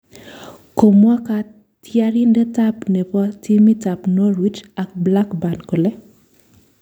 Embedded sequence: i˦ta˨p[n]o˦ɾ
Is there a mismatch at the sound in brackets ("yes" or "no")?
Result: no